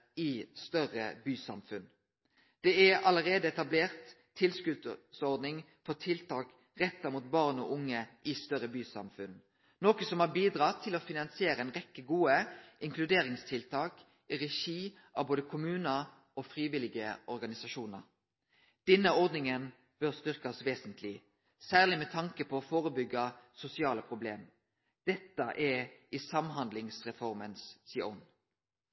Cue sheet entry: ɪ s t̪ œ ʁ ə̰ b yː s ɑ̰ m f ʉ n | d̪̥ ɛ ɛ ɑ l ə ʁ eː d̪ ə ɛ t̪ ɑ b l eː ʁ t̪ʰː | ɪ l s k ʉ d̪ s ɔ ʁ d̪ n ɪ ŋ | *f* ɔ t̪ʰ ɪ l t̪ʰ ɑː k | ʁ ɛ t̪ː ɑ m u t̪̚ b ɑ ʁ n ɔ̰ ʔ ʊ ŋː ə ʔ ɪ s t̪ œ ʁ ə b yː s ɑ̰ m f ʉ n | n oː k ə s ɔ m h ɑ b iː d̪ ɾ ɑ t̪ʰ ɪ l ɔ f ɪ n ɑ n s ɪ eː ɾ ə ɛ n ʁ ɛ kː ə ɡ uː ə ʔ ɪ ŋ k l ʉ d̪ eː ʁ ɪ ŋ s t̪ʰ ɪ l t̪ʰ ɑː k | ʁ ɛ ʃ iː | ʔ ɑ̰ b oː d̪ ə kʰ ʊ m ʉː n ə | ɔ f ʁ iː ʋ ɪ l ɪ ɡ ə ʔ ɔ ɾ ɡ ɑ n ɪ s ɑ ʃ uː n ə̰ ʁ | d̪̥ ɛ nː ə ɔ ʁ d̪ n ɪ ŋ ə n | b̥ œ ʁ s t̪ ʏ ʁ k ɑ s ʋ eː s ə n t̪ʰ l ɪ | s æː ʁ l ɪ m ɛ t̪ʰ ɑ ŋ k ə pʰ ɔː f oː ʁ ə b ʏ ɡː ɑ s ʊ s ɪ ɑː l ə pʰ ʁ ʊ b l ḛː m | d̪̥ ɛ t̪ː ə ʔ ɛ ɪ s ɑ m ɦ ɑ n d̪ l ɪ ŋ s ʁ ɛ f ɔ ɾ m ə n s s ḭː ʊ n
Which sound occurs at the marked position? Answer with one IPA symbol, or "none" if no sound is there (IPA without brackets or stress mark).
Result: f